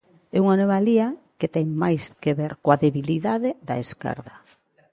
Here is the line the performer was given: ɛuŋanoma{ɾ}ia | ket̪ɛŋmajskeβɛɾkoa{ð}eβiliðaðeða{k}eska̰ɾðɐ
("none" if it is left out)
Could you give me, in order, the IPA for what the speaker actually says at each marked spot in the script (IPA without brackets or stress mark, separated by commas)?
l, ð, none